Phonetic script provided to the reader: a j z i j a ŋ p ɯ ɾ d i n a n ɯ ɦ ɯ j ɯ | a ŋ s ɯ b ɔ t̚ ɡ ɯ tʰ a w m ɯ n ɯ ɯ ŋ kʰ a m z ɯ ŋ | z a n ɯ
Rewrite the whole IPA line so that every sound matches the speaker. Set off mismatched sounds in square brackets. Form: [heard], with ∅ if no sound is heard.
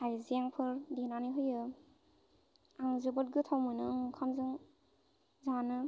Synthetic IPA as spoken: a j z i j a ŋ [pʰ] ɯ ɾ d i n a n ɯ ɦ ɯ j ɯ | a ŋ [z] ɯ b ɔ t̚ ɡ ɯ tʰ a w m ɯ n ɯ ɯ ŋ kʰ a m z ɯ ŋ | z a n ɯ